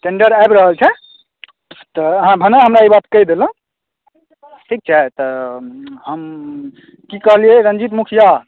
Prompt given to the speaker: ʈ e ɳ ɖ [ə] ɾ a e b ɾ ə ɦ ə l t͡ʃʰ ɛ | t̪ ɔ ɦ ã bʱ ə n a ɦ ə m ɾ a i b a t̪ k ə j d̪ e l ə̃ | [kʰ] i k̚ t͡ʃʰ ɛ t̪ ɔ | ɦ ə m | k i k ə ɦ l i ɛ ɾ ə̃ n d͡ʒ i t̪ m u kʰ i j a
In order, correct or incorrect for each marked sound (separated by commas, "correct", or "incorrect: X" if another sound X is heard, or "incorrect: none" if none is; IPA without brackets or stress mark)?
correct, incorrect: ʈʰ